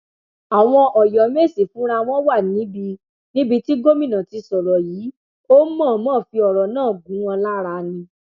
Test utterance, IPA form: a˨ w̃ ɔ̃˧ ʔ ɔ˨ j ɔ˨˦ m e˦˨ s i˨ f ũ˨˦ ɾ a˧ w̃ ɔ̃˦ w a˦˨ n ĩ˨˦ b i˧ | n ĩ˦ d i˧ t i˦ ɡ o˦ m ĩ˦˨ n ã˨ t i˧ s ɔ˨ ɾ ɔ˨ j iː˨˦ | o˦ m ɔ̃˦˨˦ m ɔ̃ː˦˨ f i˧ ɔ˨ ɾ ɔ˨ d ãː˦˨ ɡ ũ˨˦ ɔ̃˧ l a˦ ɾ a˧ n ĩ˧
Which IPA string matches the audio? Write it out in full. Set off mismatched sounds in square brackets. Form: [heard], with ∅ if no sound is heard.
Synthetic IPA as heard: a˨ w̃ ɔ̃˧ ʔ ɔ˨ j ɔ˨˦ m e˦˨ s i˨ f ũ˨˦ ɾ a˧ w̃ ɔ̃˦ w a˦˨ n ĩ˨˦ b i˧ | n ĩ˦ [b] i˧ t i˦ ɡ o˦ m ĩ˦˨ n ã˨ t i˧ s ɔ˨ ɾ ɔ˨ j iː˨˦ | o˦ m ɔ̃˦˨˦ m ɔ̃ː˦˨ f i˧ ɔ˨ ɾ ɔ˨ [n] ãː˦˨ ɡ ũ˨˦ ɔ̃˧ l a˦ ɾ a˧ n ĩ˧